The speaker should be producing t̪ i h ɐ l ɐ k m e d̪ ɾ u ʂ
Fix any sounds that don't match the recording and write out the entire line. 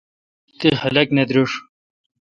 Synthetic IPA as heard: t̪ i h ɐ l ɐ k n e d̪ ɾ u ʂ